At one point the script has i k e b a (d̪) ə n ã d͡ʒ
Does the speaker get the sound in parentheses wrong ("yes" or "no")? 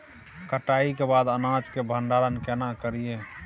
no